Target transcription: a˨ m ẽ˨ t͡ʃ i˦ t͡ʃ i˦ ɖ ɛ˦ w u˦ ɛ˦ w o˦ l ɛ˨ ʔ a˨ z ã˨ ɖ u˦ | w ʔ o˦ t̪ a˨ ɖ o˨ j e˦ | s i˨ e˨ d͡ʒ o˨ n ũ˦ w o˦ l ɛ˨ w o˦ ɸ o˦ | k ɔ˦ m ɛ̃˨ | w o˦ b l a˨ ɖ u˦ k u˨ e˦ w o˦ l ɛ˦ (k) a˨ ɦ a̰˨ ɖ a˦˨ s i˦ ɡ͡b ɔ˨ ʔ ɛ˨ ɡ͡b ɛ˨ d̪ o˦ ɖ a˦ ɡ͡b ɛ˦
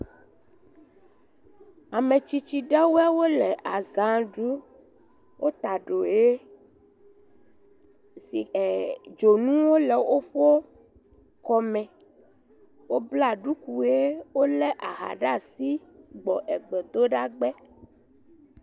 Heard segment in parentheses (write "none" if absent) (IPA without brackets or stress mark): ʔ